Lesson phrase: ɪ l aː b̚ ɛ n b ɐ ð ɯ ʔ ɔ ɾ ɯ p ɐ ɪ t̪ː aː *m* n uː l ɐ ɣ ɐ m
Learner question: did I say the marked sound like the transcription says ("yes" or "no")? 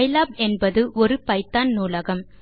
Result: no